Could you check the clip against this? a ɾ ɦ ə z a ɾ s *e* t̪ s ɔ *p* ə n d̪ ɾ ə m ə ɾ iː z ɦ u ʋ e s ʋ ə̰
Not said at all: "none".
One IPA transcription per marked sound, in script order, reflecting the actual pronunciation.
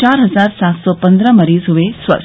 a, p

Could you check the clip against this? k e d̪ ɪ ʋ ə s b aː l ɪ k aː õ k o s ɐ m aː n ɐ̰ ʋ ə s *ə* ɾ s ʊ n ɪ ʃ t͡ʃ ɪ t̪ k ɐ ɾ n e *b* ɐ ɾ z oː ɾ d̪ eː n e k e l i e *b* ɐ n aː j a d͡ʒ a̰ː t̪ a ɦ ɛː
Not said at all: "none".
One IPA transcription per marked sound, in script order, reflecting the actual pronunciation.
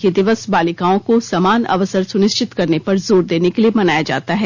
ə, p, m

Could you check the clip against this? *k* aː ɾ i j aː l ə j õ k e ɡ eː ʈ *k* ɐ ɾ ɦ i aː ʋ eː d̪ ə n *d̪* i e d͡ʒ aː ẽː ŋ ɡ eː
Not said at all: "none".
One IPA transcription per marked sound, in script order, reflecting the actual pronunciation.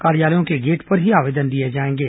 k, p, d̪

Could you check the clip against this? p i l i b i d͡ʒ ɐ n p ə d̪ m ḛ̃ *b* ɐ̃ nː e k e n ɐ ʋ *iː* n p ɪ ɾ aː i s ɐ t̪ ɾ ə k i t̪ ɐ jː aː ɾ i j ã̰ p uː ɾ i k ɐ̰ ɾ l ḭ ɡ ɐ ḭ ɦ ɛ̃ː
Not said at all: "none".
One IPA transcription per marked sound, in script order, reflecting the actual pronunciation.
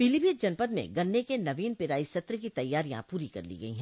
ɡ, iː

